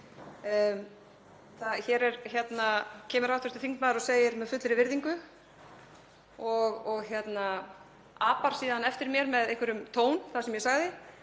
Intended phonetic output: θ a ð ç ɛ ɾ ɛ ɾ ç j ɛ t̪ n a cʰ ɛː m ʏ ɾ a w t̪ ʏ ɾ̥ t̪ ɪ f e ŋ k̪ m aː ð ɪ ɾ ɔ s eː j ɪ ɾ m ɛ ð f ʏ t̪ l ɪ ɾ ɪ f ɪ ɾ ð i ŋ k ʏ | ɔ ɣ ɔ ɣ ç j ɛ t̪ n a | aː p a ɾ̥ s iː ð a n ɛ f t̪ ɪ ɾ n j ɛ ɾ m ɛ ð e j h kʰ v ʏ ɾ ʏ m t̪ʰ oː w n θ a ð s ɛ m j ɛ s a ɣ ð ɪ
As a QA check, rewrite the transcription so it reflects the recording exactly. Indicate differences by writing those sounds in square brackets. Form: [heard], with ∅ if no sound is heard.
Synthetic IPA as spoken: θ a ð ç ɛ ɾ ɛ ɾ ç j ɛ t̪ n a cʰ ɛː m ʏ ɾ a w t̪ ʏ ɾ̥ t̪ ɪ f [i] ŋ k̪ m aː ð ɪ ɾ ɔ s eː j ɪ ɾ m ɛ ð f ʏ t̪ l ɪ ɾ ɪ [v] ɪ ɾ ð i ŋ k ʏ | ɔ ɣ ɔ ɣ ç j ɛ t̪ n a | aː p a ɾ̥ s iː ð a n ɛ f t̪ ɪ ɾ [m] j ɛ ɾ m ɛ ð e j h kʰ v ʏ ɾ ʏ m t̪ʰ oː w n θ a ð s ɛ m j ɛ s a ɣ ð ɪ